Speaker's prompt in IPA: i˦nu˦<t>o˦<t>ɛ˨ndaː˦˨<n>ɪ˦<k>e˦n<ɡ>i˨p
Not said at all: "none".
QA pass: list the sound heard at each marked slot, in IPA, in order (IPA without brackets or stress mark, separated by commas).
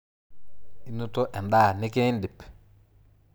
t, ʔ, n, k, d